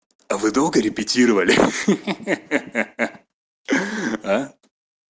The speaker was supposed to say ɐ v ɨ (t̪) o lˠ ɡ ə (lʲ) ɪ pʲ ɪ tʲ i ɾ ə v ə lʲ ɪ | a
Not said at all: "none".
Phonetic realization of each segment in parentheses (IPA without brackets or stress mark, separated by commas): d̪, ɾʲ